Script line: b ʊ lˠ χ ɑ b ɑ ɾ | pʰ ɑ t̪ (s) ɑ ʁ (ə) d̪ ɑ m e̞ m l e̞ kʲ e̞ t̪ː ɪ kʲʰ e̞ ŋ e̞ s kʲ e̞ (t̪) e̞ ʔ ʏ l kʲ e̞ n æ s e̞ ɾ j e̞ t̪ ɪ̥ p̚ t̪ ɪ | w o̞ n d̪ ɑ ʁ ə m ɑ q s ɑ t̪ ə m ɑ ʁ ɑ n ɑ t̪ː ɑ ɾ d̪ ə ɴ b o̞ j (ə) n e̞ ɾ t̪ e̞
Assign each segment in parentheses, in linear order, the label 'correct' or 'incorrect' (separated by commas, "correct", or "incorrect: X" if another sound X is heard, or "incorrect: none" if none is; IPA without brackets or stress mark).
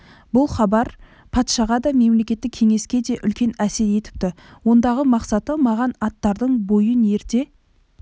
incorrect: ʃ, incorrect: ɑ, incorrect: d̪, correct